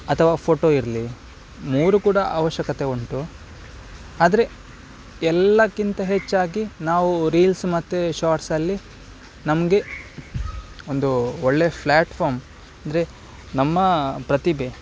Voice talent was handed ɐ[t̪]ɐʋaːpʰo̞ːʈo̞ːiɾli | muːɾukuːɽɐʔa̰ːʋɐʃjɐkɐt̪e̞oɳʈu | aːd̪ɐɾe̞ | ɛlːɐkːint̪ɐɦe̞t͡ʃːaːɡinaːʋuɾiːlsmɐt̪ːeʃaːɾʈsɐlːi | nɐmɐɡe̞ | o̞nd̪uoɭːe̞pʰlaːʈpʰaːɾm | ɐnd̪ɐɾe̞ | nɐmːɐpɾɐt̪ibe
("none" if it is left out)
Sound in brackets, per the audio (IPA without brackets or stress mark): t̪ʰ